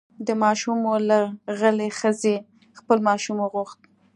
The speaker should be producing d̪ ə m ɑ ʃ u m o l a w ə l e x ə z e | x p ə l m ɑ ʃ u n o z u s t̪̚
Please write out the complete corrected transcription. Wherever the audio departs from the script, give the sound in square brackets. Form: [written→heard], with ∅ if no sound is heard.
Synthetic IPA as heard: d̪ ə m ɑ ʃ u m o l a [w→ɣ] ə l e x ə z e | x p ə l m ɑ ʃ u [n→m] o [z→ɣ] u [s→x] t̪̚